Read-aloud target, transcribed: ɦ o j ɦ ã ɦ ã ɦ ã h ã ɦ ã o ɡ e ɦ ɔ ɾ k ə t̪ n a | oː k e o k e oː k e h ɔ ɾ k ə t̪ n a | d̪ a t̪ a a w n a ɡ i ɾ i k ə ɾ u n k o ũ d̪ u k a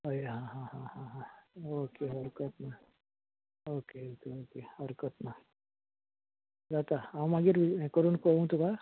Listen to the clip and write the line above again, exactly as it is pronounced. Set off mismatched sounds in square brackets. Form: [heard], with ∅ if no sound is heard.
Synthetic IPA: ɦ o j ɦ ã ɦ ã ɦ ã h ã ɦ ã o [k] e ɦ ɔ ɾ k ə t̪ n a | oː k e o k e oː k e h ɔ ɾ k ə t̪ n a | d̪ a t̪ a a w [m] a ɡ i ɾ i k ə ɾ u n k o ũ [t̪] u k a